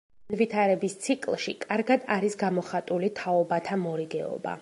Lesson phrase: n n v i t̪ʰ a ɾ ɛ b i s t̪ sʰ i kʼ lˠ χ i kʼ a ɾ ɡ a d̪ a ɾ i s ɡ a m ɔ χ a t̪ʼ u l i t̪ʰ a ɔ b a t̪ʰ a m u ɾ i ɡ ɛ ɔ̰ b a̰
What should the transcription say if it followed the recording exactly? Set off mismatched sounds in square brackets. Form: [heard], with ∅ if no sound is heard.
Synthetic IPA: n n v i t̪ʰ a ɾ ɛ b i s t̪ sʰ i kʼ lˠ [ʃ] i kʼ a ɾ ɡ a d̪ a ɾ i s ɡ a m ɔ χ a t̪ʼ u l i t̪ʰ a ɔ b a t̪ʰ a m [ɔ] ɾ i ɡ ɛ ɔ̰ b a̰